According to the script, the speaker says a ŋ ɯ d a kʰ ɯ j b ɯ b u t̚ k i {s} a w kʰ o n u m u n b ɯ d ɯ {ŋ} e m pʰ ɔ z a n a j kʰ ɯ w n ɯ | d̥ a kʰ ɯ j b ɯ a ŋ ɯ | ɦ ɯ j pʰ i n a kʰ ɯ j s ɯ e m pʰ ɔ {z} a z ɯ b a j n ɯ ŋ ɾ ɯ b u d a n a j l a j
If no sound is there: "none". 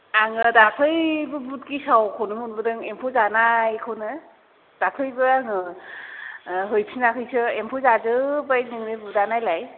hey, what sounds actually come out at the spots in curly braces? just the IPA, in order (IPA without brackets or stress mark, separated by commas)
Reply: s, ŋ, z